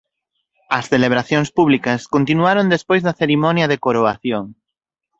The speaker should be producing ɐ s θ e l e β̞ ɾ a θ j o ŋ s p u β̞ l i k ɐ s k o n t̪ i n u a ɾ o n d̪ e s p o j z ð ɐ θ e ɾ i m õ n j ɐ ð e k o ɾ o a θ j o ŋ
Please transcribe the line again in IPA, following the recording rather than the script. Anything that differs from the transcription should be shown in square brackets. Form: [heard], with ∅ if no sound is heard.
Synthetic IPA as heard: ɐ s θ e l e β̞ ɾ a θ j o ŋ s p u β̞ l i k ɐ s k o n t̪ i n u a ɾ o n d̪ e s p o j z ð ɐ θ e ɾ i m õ n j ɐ ð e k o ɾ o a θ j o ŋ